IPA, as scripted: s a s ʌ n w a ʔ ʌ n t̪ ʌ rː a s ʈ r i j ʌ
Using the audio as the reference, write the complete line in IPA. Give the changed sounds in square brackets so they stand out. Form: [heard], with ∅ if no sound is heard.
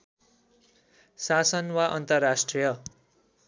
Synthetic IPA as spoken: s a s ʌ n w a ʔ ʌ n t̪ ʌ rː a s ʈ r i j ʌ